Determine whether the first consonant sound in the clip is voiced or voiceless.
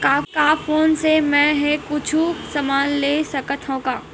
voiceless